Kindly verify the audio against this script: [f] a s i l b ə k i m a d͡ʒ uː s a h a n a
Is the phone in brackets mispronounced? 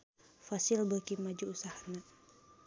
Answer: no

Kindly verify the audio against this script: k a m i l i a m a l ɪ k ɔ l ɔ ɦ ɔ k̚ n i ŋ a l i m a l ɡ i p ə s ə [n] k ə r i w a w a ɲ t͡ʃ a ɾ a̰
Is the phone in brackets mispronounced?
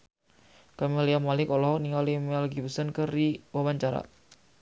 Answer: no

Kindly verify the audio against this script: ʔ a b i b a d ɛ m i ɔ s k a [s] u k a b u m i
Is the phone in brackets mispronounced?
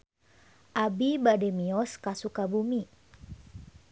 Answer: no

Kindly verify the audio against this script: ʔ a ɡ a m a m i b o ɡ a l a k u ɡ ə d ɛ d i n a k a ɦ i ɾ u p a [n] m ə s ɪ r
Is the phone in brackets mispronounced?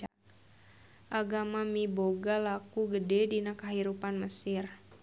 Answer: no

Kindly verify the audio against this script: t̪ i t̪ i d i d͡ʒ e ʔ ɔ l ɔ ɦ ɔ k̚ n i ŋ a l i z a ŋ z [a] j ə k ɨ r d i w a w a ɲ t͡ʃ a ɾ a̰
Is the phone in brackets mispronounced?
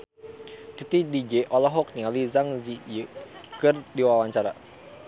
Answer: yes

